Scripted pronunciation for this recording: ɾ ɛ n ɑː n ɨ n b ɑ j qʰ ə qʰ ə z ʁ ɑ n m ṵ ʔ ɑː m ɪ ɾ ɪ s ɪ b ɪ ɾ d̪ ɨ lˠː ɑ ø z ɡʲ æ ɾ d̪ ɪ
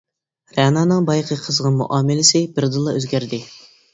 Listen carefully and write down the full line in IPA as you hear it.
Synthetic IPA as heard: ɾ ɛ n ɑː n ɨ ŋ b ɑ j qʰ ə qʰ ə z ʁ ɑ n m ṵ ʔ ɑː m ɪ l ɪ s ɪ b ɪ ɾ d̪ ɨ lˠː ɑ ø z ɡʲ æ ɾ d̪ ɪ